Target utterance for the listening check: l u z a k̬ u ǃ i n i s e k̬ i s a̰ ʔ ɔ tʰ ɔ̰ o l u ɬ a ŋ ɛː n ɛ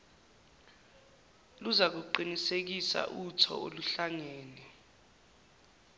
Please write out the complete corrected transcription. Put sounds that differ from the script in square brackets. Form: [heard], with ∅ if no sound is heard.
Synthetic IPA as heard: l u z a k̬ u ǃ i n i s e k̬ i s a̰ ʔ [u] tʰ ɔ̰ o l u ɬ a ŋ ɛː n ɛ